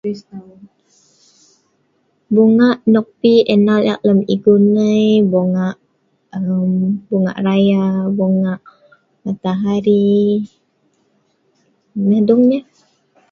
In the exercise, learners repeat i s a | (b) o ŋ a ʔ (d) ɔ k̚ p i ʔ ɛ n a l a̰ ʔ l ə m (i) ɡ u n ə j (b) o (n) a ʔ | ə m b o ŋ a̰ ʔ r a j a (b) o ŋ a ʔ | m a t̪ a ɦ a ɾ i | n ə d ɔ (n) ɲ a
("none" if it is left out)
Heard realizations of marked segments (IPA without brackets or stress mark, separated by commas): b, n, i, b, ŋ, b, ŋ